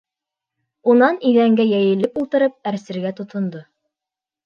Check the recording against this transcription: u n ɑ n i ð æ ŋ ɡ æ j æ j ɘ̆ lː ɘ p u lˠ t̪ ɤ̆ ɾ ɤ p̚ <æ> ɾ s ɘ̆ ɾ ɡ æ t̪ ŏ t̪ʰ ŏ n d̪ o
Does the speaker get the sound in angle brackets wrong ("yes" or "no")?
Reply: no